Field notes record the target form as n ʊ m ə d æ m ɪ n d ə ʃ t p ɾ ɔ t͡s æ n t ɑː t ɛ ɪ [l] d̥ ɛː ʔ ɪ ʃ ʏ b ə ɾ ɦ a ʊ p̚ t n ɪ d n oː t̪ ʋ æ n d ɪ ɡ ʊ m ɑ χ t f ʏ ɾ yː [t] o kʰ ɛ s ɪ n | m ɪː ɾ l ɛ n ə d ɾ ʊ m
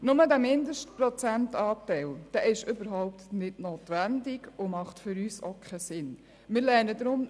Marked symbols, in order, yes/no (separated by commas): yes, no